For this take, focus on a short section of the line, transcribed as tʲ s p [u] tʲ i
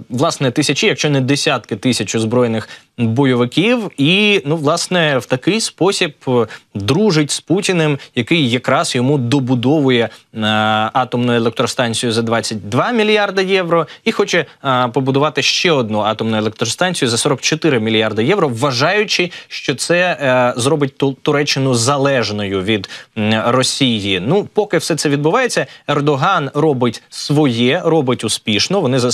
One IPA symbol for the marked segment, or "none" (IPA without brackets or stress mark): u